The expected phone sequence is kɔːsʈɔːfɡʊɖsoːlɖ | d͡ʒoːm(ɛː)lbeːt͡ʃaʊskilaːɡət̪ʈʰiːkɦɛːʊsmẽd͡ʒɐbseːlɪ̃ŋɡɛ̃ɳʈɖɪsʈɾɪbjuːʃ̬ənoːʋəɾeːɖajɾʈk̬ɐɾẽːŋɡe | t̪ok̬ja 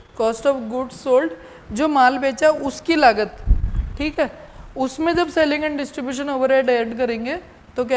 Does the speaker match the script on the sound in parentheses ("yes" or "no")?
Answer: no